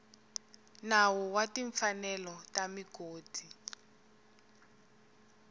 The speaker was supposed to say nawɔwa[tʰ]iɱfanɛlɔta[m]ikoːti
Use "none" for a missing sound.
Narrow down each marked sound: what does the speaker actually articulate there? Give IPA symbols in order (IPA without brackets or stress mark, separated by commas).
t, m